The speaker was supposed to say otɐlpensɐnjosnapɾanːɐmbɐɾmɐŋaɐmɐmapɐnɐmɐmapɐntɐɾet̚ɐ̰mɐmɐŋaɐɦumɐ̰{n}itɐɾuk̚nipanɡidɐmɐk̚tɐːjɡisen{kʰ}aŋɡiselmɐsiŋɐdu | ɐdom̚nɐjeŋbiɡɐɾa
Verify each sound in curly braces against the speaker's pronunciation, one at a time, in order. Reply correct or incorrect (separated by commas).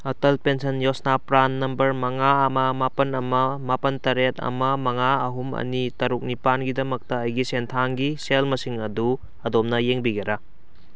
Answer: correct, incorrect